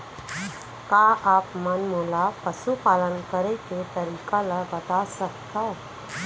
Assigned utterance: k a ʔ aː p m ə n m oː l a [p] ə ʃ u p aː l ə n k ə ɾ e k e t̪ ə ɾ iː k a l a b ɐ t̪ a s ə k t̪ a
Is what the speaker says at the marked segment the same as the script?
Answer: yes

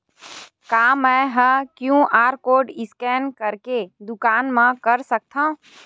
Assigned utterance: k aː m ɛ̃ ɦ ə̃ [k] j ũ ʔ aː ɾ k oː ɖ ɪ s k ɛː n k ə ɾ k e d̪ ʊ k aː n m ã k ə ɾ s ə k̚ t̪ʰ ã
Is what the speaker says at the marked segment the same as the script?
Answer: yes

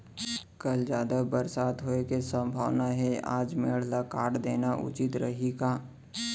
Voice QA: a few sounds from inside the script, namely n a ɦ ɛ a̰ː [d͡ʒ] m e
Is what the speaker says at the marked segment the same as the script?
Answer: yes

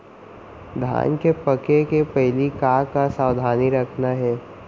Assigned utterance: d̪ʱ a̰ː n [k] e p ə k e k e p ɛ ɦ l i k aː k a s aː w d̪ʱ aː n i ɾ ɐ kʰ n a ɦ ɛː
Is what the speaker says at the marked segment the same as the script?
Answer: yes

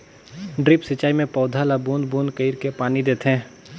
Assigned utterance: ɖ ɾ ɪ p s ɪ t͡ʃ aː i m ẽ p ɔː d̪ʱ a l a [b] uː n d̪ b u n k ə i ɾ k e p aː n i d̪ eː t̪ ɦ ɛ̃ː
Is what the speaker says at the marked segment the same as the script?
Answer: yes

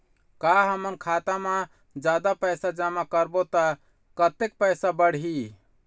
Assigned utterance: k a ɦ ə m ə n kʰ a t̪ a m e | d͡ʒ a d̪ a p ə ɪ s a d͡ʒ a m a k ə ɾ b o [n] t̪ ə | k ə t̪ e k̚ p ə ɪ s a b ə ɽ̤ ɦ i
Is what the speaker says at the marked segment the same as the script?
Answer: no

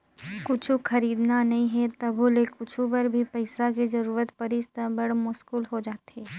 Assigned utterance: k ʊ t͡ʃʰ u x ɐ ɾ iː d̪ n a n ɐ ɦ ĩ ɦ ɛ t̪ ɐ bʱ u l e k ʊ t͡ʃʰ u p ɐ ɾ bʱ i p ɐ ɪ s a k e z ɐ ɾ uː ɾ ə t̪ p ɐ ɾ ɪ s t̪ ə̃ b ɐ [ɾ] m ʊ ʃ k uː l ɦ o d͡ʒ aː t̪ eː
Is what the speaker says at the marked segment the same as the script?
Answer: no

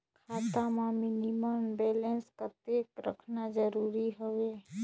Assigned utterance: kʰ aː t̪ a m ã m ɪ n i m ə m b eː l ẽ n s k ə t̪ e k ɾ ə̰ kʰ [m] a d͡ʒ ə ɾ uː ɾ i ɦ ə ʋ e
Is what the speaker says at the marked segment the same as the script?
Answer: no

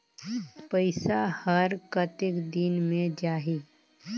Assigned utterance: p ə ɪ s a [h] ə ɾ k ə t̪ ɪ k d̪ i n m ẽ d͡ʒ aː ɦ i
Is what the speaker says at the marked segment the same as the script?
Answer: yes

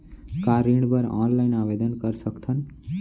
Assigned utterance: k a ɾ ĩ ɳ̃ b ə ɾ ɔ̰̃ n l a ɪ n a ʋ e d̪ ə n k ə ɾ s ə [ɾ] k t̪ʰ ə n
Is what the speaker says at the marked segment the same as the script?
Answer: no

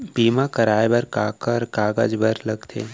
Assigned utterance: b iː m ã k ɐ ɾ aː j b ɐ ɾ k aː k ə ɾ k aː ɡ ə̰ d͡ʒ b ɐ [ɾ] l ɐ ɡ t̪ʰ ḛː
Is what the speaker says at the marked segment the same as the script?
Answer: yes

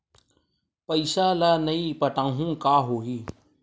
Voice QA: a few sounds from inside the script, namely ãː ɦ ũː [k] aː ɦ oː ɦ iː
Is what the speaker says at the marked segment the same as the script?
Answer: yes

